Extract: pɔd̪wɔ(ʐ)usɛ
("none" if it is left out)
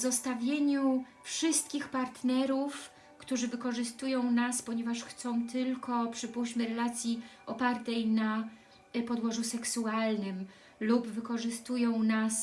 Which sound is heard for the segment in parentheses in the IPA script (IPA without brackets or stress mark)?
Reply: ʐ